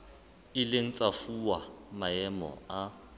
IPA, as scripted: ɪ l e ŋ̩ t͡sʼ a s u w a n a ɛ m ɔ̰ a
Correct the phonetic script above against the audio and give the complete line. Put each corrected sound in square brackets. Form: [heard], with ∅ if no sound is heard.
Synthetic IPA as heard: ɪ l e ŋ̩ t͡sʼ a [f] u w a [m] a ɛ m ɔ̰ a